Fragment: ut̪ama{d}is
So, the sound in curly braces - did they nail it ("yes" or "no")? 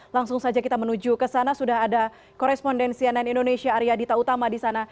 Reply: yes